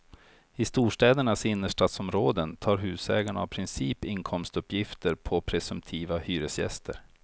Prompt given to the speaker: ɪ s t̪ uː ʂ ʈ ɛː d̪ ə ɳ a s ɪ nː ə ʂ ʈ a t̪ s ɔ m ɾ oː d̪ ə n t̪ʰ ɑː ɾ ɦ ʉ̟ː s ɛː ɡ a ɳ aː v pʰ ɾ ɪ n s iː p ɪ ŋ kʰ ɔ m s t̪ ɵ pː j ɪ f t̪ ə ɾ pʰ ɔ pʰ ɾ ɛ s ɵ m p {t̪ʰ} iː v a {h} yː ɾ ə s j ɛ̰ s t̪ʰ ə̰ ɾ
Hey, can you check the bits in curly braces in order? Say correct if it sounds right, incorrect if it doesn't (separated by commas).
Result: correct, correct